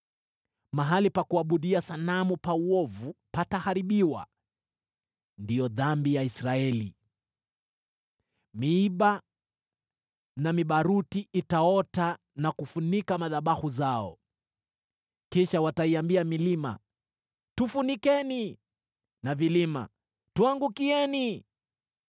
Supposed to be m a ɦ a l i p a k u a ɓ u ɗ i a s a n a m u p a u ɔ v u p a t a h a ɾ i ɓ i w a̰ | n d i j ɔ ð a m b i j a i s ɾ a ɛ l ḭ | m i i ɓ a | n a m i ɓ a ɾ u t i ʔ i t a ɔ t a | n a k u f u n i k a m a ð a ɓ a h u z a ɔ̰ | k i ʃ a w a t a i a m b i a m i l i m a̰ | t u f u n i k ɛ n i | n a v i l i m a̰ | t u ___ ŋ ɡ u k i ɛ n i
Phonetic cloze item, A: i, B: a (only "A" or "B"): B